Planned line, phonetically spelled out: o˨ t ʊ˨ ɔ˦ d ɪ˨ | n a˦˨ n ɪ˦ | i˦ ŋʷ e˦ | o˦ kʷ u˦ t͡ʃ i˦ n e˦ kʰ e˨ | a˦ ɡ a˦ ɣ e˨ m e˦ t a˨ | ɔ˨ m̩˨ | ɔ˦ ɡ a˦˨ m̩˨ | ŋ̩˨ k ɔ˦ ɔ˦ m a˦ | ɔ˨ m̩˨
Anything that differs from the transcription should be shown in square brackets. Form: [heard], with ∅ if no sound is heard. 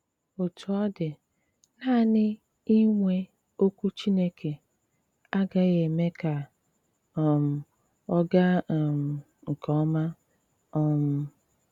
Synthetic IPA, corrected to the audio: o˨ t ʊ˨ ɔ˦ d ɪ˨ | n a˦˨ n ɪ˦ | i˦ ŋʷ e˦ | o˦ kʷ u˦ t͡ʃ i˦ n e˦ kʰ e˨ | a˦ ɡ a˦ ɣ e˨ m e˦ [k] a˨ | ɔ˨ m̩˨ | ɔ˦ ɡ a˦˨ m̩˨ | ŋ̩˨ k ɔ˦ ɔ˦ m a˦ | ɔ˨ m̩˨